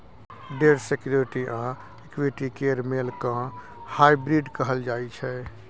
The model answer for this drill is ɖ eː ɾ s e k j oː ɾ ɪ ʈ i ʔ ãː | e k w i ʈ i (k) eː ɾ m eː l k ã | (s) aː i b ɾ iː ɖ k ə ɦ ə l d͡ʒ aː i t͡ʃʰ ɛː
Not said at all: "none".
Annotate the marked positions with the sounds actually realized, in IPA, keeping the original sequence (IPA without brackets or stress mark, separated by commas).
k, h